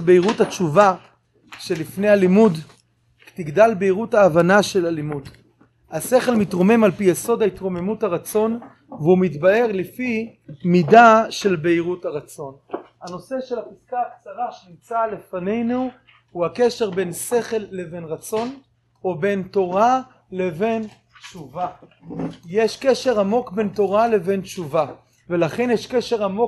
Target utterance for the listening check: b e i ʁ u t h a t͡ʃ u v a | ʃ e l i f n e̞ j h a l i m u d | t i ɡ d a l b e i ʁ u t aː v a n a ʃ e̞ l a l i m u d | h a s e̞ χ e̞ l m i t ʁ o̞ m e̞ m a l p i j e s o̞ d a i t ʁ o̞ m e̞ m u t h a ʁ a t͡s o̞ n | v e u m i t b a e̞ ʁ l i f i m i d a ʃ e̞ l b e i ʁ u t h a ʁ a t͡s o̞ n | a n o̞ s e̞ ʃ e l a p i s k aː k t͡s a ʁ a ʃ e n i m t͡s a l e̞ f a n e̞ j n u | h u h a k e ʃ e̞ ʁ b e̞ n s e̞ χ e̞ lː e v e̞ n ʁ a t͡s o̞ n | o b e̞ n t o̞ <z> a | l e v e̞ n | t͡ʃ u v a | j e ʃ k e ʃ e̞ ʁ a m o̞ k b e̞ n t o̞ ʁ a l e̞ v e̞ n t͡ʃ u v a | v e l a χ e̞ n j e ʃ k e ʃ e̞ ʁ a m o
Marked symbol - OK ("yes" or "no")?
no